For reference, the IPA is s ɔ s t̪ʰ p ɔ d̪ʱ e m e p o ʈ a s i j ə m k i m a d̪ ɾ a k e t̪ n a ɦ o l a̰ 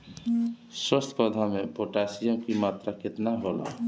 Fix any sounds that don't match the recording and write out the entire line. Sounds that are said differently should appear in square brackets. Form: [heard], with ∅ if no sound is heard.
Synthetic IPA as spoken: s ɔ s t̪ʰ p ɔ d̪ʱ [a] m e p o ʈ a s i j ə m k i m a [t̪] ɾ a k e t̪ n a ɦ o l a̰